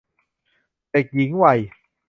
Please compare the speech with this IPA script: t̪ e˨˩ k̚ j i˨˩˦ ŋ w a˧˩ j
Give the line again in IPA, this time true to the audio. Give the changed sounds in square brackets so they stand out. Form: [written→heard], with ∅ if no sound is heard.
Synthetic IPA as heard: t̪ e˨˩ k̚ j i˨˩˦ ŋ w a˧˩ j

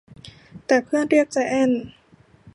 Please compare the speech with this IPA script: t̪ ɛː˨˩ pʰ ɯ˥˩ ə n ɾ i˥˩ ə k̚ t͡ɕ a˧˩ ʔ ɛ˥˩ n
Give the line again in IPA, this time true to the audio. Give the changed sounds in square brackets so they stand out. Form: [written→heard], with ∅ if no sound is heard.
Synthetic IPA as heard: t̪ ɛː˨˩ pʰ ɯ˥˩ ə n ɾ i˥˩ ə k̚ t͡ɕ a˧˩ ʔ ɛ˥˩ n

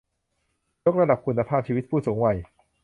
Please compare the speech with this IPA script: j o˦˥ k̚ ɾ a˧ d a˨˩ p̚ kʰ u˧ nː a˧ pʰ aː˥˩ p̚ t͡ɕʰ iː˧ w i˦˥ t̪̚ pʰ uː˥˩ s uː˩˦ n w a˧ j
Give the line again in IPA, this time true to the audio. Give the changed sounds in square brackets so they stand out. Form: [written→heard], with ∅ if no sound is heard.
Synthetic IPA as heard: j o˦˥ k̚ ɾ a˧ d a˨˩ p̚ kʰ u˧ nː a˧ pʰ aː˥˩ p̚ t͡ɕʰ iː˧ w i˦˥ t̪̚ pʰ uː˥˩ s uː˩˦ [n→ŋ] w [a˧→a˨˩] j

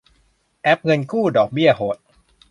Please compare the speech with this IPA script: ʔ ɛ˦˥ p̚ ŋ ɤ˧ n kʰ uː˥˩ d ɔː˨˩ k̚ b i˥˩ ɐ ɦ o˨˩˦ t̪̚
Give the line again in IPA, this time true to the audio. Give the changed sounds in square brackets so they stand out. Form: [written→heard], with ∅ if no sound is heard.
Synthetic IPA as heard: ʔ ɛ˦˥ p̚ ŋ ɤ˧ n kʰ uː˥˩ d ɔː˨˩ k̚ b i˥˩ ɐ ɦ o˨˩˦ t̪̚

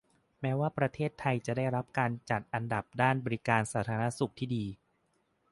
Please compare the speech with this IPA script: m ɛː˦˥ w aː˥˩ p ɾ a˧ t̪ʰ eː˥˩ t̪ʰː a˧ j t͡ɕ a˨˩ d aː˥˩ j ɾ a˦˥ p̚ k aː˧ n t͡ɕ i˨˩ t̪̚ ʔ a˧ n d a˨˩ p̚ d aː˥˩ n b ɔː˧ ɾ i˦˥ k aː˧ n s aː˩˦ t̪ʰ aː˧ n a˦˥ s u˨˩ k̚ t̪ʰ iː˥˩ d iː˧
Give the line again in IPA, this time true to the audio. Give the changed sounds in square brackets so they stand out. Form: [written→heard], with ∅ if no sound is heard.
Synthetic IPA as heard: m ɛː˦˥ w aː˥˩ p ɾ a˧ t̪ʰ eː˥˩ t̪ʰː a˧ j t͡ɕ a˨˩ d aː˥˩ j ɾ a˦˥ p̚ k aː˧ n t͡ɕ [i˨˩→a˨˩] t̪̚ ʔ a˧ n d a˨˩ p̚ d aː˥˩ n b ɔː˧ ɾ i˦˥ k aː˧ n s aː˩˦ t̪ʰ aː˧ n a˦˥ s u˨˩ k̚ t̪ʰ iː˥˩ d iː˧

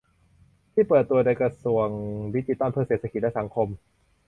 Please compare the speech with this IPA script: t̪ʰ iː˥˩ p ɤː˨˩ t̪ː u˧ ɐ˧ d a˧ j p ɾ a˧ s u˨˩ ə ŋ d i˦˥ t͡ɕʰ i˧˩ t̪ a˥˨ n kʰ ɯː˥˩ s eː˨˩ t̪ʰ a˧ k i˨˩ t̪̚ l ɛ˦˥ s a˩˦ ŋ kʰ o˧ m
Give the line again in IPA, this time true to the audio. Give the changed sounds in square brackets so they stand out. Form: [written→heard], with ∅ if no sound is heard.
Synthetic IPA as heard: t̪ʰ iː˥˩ p ɤː˨˩ t̪ː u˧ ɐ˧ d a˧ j [p→k] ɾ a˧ s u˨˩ ə ŋ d i˦˥ [t͡ɕʰ→t͡ɕ] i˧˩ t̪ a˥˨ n [kʰ→pʰ] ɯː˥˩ s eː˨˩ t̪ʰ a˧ k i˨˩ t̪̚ l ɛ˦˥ s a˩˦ ŋ kʰ o˧ m

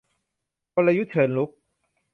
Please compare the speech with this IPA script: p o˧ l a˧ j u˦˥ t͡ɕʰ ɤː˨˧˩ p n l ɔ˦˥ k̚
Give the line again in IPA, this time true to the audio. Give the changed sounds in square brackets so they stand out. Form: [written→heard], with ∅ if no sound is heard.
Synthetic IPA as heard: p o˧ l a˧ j u˦˥ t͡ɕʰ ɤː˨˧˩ [p→∅] n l [ɔ˦˥→u˦˥] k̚

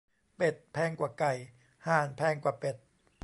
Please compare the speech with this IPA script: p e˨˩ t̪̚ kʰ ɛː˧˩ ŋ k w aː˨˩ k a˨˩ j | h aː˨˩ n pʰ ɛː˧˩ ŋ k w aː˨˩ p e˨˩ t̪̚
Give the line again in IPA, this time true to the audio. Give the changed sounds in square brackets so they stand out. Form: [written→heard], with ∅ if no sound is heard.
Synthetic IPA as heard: p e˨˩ t̪̚ [kʰ→pʰ] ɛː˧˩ ŋ k w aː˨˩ k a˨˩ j | h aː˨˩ n pʰ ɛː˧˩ ŋ k w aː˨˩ p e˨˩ t̪̚

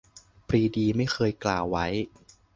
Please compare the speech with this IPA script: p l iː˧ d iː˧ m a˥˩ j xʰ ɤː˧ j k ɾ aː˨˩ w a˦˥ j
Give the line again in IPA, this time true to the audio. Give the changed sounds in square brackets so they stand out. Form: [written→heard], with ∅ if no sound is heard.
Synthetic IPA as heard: p [l→ɾ] iː˧ d iː˧ m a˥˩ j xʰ ɤː˧ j k [ɾ→l] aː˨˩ [w→wː] a˦˥ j

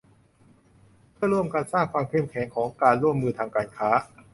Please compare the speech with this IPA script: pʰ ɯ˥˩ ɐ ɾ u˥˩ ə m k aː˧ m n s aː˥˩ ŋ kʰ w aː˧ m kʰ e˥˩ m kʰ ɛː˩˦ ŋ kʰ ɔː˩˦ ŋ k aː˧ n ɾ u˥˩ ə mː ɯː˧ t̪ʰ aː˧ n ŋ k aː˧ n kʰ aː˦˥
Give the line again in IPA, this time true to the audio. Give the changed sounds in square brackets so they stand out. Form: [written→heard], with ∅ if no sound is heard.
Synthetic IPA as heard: pʰ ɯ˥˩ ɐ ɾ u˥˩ ə m k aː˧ [m→∅] n s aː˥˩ ŋ kʰ w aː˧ m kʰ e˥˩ m kʰ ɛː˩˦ ŋ kʰ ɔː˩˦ ŋ k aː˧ n ɾ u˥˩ ə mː ɯː˧ t̪ʰ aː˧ [n→∅] ŋ k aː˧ n kʰ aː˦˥

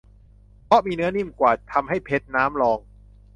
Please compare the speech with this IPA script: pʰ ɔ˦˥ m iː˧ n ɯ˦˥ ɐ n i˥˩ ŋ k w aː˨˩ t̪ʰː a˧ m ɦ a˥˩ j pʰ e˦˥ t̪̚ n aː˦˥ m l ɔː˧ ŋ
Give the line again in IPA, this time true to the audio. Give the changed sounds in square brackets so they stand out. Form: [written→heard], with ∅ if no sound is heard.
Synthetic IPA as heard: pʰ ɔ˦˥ m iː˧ n ɯ˦˥ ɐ n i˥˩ [ŋ→m] k w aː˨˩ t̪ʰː a˧ m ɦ a˥˩ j pʰ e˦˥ t̪̚ n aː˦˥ m l ɔː˧ ŋ

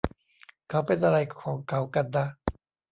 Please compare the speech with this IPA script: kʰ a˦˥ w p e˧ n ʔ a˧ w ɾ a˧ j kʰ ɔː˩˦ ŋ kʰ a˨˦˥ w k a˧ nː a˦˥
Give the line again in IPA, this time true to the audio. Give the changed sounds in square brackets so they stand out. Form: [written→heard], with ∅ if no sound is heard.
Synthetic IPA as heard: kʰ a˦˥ w p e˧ n ʔ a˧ [w→∅] ɾ a˧ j kʰ ɔː˩˦ ŋ kʰ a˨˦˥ w k a˧ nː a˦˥

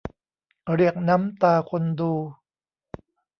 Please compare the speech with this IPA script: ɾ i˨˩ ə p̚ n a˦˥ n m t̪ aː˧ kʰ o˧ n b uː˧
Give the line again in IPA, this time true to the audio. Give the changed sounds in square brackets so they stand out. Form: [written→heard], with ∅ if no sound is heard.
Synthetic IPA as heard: ɾ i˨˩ ə [p̚→k̚] n a˦˥ [n→∅] m t̪ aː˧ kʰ o˧ n [b→d] uː˧

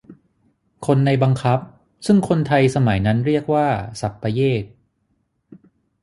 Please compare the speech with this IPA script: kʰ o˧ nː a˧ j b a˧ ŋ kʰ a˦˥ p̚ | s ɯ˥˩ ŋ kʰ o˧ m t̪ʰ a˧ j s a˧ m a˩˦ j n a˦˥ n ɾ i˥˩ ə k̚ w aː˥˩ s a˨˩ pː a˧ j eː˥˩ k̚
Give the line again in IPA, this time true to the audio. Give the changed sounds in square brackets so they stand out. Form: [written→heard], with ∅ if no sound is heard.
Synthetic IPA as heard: kʰ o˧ nː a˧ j b a˧ ŋ kʰ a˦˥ p̚ | s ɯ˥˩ ŋ kʰ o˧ [m→n] t̪ʰ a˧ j s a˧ m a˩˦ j n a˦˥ n ɾ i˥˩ ə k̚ w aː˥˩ s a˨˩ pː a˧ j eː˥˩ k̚

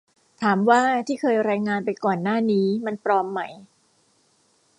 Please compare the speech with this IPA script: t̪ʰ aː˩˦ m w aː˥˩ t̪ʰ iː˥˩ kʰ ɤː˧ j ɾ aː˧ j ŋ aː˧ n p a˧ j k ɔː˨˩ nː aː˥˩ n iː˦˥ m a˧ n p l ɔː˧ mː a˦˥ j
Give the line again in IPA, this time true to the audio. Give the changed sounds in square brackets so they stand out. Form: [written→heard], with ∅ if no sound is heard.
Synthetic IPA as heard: t̪ʰ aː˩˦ m w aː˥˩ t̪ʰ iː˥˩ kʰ ɤː˧ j ɾ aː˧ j ŋ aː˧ n p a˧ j k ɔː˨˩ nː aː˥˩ n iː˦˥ m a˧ n p [l→ɾ] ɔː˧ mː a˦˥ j

